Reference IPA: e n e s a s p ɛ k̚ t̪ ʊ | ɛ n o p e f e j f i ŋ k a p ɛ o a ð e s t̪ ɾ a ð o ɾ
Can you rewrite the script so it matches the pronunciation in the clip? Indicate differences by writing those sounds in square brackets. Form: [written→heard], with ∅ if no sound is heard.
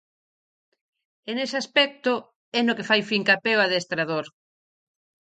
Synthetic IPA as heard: e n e s a s p ɛ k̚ t̪ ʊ | ɛ n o [p→k] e f [e→a] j f i ŋ k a p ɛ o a ð e s t̪ ɾ a ð o ɾ